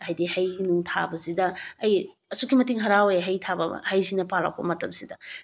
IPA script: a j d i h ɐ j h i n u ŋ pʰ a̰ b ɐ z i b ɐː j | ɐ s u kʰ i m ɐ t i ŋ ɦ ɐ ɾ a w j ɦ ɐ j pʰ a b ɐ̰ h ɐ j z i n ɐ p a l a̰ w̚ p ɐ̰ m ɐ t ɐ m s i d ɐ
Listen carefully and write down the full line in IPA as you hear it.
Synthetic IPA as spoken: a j d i h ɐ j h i n u ŋ tʰ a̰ b ɐ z i d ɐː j | ɐ s u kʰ i m ɐ t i ŋ ɦ ɐ ɾ a w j ɦ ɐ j tʰ a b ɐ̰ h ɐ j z i n ɐ p a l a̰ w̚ p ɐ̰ m ɐ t ɐ m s i d ɐ